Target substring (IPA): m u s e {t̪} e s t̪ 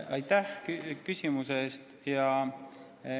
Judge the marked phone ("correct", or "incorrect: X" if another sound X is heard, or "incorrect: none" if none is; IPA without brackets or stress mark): incorrect: none